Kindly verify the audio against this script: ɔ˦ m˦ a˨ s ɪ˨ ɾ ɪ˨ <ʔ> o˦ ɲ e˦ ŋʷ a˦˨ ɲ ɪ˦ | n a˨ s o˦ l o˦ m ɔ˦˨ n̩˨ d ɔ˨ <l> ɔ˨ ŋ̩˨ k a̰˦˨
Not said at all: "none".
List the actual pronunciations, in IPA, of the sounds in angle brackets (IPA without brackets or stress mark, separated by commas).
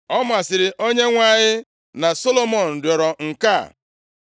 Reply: ʔ, ɾ